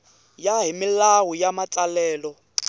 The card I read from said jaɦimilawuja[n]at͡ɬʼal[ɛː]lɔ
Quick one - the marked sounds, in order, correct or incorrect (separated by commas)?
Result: incorrect, correct